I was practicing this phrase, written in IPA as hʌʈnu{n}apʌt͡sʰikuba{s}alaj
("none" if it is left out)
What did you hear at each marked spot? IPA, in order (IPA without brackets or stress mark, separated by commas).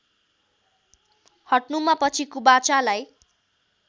m, t͡s